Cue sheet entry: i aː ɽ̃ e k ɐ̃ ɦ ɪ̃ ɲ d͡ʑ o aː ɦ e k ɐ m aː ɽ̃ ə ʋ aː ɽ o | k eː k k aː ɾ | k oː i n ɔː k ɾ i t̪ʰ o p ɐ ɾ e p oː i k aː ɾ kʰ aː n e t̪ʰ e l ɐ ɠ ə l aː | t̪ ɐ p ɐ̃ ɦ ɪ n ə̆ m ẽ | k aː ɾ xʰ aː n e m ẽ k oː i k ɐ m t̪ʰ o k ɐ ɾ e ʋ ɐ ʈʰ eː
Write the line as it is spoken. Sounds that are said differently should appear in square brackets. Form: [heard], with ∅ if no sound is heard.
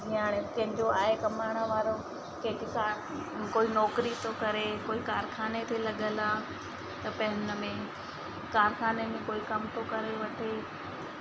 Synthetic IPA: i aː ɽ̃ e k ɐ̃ ɦ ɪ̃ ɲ d͡ʑ o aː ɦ e k ɐ m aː ɽ̃ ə ʋ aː [ɾ] o | k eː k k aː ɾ | k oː i n ɔː k ɾ i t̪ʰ o [k] ɐ ɾ e [k] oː i k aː ɾ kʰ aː n e t̪ʰ e l ɐ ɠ ə l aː | t̪ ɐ p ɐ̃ ɦ ɪ n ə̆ m ẽ | k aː ɾ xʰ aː n e m ẽ k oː i k ɐ m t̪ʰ o k ɐ ɾ e ʋ ɐ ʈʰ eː